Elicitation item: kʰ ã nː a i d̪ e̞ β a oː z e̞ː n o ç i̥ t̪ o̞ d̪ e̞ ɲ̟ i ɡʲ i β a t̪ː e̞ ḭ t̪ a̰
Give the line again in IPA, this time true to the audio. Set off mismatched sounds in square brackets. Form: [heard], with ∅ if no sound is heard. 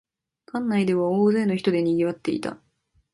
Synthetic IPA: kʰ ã nː a i d̪ e̞ β a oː z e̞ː n o ç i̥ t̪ o̞ d̪ e̞ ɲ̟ i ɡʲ i β a t̪ː e̞ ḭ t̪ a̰

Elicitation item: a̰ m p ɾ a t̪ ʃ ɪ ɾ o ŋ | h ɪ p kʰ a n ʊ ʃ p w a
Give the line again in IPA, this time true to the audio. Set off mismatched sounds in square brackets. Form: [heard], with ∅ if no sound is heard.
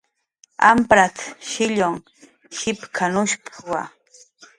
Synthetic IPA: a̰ m p ɾ a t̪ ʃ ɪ [ʎ] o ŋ | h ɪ p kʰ a n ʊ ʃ p w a

